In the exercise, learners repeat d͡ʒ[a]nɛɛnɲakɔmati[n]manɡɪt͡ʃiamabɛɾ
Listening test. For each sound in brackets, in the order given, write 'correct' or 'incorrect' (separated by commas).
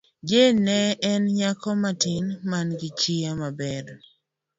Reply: incorrect, correct